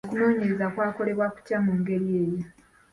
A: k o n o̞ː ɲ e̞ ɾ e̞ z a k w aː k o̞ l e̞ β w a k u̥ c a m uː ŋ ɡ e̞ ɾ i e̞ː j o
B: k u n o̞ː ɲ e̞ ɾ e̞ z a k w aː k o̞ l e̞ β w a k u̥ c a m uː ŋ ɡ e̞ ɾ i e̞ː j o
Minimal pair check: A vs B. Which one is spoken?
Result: B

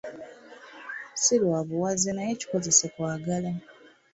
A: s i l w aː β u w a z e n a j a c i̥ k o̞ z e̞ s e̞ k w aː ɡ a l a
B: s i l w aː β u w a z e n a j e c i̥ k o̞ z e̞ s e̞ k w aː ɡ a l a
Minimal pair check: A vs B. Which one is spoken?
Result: B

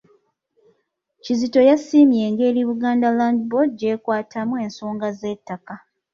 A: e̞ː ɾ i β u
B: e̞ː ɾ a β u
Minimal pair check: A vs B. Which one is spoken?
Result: A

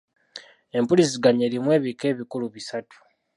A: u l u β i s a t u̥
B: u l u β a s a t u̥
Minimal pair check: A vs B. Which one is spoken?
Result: A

